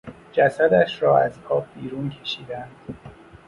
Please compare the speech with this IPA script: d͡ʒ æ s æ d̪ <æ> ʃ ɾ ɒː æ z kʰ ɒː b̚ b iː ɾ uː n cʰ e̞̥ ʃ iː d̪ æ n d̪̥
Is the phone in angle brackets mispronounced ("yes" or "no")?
no